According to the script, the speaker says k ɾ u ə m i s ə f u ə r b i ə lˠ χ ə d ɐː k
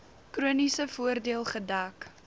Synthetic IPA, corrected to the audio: k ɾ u ə n i s ə f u ə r d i ə lˠ χ ə d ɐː k